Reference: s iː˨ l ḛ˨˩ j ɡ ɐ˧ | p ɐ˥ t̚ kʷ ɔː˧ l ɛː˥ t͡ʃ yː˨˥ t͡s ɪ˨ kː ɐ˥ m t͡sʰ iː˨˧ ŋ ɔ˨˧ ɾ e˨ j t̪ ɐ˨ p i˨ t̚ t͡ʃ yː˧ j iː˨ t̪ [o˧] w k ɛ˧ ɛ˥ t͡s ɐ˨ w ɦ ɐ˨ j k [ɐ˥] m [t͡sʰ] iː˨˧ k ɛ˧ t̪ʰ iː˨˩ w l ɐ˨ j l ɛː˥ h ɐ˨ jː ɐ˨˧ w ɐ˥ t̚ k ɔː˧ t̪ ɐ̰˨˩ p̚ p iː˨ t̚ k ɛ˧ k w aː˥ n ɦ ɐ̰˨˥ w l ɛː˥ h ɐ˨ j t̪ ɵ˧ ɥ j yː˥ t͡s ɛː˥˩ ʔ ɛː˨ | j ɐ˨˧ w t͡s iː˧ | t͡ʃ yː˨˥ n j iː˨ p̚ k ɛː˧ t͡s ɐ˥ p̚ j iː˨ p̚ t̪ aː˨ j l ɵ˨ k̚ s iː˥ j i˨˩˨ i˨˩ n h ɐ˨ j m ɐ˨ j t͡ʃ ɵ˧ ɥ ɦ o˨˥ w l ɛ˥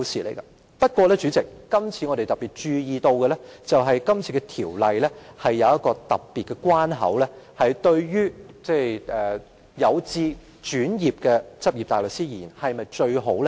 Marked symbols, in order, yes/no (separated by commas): yes, yes, yes